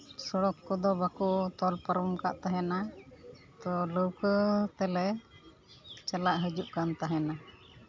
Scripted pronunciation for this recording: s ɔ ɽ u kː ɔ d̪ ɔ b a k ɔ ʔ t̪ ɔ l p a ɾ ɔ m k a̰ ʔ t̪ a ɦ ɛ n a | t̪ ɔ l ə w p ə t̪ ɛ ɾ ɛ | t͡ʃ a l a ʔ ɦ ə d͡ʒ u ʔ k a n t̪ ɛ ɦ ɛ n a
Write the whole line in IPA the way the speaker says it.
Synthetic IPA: s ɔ ɽ ɔ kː ɔ d̪ ɔ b a k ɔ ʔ t̪ ɔ l p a ɾ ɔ m k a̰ ʔ t̪ a ɦ ɛ n a | t̪ ɔ l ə w k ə t̪ ɛ l ɛ | t͡ʃ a l a ʔ ɦ ə d͡ʒ u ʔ k a n t̪ a ɦ ɛ n a